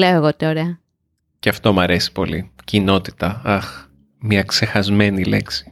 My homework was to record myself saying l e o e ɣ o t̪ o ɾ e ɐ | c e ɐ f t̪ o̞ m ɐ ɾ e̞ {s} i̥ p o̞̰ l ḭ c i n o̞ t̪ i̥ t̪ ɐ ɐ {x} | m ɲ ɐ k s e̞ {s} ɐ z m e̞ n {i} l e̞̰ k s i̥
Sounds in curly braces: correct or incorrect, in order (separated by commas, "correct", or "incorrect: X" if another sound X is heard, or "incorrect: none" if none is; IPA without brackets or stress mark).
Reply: correct, correct, incorrect: x, correct